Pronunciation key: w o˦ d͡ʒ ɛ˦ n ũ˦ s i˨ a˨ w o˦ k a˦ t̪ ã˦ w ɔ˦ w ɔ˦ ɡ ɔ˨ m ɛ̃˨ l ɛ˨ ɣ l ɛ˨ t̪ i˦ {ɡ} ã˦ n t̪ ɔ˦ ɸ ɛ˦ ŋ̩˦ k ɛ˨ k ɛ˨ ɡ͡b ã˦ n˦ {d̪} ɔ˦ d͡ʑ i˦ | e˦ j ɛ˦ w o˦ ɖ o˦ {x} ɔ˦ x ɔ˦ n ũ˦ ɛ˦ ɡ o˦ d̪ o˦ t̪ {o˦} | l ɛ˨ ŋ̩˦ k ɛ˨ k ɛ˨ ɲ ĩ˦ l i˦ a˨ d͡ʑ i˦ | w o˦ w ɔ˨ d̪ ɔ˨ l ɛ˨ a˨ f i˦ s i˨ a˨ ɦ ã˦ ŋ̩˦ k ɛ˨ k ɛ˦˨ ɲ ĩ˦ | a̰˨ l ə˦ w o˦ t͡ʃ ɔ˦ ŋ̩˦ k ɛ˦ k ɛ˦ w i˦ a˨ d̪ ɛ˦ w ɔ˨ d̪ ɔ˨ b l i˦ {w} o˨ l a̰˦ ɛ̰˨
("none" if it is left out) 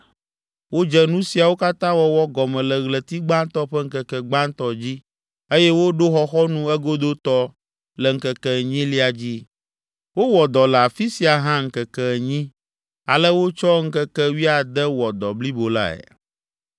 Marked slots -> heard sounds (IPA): ɡ͡b, t̪, x, ɔ˦, b

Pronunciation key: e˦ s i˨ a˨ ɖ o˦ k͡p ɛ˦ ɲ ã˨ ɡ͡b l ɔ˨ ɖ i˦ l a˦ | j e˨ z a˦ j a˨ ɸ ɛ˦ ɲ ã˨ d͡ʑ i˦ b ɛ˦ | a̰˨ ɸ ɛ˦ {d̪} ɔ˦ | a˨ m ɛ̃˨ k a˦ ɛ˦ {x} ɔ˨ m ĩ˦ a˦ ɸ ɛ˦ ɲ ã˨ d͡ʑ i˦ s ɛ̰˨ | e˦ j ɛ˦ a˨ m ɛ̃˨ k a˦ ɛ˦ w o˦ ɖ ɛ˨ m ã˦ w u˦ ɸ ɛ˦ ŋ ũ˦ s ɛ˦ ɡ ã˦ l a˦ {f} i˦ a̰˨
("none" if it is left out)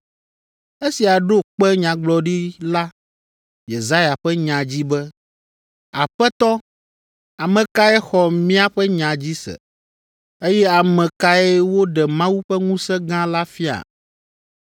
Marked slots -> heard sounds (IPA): t̪, x, f

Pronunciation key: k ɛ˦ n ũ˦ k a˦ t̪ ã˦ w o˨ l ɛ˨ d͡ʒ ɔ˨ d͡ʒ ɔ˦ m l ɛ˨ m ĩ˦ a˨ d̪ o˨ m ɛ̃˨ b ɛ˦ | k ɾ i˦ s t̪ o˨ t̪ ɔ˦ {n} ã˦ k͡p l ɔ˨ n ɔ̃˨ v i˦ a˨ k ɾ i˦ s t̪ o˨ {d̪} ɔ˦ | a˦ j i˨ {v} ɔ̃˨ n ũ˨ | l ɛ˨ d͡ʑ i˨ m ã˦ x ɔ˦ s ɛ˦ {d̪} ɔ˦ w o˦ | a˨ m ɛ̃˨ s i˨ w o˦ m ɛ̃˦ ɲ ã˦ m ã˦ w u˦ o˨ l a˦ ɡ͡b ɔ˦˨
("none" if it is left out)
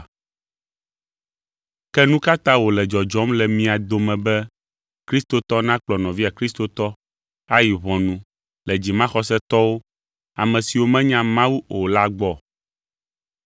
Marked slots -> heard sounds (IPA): n, t̪, β, t̪

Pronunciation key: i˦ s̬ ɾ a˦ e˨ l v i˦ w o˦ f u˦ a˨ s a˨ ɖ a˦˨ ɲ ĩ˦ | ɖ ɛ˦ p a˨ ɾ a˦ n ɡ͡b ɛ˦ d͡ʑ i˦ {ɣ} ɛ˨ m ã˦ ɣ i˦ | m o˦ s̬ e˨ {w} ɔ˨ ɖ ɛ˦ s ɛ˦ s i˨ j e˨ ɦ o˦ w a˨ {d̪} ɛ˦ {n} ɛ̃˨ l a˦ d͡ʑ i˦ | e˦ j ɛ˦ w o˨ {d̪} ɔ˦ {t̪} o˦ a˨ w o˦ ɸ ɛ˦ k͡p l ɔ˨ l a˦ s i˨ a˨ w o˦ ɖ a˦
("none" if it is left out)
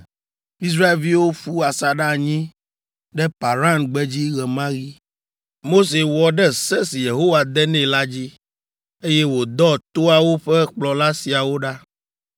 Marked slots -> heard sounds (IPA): ɣ, w, d̪, n, d̪, t̪

